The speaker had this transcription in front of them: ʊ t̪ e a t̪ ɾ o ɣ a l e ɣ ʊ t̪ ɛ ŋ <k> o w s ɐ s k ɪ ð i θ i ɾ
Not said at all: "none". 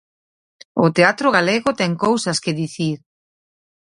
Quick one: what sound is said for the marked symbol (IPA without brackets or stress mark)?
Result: k